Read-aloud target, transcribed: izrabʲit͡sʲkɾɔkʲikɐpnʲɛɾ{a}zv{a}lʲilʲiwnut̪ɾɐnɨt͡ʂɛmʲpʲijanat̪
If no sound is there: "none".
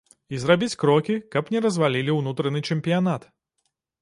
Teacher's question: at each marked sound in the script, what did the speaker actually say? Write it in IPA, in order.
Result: ɐ, a

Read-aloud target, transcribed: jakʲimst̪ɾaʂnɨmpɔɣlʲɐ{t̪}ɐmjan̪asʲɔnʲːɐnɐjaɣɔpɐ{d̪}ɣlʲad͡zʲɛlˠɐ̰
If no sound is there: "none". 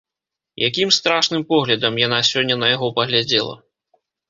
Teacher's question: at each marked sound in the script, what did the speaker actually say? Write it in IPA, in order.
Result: d̪, none

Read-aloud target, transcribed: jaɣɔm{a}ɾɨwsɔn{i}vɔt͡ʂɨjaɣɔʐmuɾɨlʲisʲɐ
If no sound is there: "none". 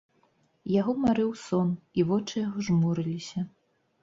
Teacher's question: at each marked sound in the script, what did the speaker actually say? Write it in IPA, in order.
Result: a, i

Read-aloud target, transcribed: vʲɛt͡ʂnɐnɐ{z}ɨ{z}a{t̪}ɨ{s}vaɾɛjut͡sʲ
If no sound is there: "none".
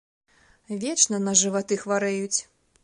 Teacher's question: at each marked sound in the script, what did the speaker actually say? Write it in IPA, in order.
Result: ʐ, v, t̪, x

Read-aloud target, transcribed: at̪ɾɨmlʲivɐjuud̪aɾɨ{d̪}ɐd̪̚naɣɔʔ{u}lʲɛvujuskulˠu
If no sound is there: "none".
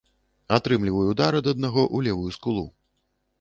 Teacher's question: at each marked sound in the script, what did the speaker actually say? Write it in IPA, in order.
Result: d̪, u

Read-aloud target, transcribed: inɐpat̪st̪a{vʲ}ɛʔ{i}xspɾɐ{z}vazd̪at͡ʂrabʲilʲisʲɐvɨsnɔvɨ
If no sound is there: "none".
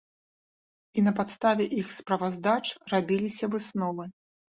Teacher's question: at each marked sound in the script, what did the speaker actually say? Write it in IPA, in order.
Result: vʲ, i, none

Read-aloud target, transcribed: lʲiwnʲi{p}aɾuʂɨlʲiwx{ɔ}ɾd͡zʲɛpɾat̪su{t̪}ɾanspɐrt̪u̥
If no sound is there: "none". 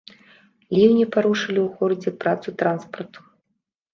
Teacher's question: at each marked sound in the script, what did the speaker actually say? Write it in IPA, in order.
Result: p, ɔ, t̪

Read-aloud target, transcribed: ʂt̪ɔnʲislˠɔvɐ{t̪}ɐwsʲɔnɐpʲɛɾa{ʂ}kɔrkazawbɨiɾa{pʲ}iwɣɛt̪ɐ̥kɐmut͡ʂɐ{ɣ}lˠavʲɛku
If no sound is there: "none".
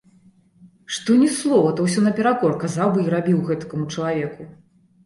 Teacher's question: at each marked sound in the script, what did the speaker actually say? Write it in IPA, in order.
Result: t̪, none, bʲ, none

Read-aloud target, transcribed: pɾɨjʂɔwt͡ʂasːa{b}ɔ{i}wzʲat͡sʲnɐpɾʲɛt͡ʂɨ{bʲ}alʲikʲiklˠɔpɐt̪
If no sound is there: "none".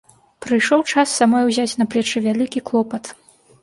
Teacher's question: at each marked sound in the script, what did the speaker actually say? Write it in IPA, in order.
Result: m, j, vʲ

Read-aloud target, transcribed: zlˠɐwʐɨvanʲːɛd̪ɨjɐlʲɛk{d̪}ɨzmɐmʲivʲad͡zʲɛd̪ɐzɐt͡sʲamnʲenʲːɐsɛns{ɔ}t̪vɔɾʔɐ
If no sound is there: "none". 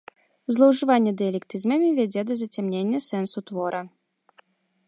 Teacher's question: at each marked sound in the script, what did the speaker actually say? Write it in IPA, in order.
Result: t̪, u

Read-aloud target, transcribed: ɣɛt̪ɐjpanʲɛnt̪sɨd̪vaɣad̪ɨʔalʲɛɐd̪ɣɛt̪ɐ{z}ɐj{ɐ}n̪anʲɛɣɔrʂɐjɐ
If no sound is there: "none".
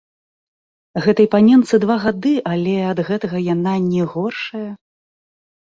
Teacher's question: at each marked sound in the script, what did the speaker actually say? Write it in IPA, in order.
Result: ɣ, a

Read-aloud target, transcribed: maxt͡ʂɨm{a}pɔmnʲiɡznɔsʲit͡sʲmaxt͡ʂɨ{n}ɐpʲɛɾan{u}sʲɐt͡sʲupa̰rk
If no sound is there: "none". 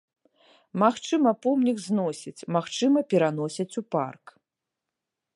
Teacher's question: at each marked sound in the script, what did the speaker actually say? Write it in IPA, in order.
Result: ɐ, m, ɔ

